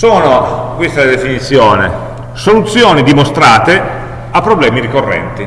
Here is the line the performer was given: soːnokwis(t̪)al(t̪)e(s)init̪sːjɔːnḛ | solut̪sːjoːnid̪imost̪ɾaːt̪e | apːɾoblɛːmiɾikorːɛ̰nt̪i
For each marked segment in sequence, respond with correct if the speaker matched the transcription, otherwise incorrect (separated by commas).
correct, incorrect, incorrect